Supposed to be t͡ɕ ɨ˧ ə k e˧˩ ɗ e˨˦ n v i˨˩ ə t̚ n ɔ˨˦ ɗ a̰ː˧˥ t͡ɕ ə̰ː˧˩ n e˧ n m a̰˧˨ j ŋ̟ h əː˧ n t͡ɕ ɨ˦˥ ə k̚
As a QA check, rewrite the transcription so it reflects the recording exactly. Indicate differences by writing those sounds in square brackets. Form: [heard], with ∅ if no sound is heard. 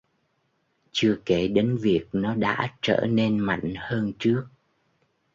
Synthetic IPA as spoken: t͡ɕ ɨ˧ ə k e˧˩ ɗ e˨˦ n v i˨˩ ə [k̚] n ɔ˨˦ ɗ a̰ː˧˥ t͡ɕ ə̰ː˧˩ n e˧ n m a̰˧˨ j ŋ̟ h əː˧ n t͡ɕ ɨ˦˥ ə k̚